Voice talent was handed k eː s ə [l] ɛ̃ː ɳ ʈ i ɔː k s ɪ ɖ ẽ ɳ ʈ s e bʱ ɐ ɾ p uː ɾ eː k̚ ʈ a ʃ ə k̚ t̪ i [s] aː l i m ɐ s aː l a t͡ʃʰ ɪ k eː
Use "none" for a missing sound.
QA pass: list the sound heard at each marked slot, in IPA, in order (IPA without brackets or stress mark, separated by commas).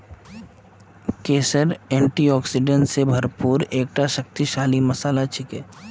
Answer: ɾ, ʃ